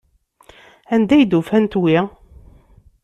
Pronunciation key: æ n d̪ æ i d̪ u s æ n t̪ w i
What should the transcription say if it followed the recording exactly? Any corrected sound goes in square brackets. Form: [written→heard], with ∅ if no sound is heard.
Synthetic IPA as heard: æ n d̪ æ [i→j] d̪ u [s→f] æ n t̪ w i